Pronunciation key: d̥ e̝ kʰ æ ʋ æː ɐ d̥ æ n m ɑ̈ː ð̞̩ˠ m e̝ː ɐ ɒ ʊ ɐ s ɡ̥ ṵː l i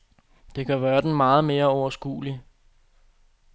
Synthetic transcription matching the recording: d̥ e̝ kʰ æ ʋ æː ɐ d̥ e n m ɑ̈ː ð̞̩ˠ m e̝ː ɐ ɒ ʊ ɐ s ɡ̥ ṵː l i